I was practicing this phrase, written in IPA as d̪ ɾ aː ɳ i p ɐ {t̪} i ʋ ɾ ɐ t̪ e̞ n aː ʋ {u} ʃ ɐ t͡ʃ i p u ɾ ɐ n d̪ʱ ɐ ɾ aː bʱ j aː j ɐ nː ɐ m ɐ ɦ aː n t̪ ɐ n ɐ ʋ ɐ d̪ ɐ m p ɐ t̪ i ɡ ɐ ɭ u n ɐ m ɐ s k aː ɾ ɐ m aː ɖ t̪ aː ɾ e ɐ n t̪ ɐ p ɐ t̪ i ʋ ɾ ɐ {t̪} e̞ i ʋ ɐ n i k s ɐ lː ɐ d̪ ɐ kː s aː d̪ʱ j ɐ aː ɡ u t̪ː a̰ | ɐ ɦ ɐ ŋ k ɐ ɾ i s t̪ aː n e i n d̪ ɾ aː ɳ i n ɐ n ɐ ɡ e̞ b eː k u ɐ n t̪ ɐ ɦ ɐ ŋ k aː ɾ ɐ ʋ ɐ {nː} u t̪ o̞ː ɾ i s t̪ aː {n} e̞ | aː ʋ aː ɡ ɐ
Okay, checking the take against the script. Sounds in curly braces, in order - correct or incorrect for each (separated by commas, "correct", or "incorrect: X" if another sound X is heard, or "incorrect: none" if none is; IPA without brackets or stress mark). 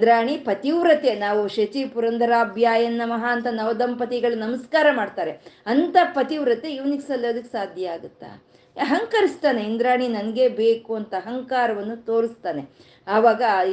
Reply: correct, correct, correct, correct, correct